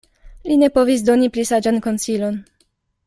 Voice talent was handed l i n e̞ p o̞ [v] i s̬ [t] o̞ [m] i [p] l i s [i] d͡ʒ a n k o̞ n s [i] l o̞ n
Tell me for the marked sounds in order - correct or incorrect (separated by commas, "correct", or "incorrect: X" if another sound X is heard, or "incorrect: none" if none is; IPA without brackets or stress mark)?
correct, incorrect: d, incorrect: n, correct, incorrect: a, correct